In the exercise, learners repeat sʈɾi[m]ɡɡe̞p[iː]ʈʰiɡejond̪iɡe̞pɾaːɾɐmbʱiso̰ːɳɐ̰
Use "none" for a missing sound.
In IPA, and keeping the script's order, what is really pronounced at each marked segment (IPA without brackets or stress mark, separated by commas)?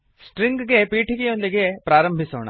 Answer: ŋ, iː